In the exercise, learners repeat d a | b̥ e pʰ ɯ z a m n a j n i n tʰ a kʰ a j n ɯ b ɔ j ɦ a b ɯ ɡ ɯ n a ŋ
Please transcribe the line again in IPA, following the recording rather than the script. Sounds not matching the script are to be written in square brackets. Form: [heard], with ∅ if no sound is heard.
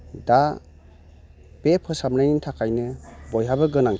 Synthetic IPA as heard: d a | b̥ e pʰ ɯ [s] a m n a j n i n tʰ a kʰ a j n ɯ b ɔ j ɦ a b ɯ ɡ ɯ n a ŋ